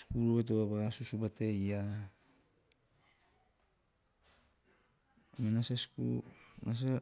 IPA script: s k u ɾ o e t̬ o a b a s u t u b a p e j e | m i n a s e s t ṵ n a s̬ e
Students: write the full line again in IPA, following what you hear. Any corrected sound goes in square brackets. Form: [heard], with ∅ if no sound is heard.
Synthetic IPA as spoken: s k u ɾ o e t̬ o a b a s u [s] u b a [t] e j [a] | m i n a s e s [k] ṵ n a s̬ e